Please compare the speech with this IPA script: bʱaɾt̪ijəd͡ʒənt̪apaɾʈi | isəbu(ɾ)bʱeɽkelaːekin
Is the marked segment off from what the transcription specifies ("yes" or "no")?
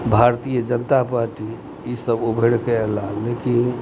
yes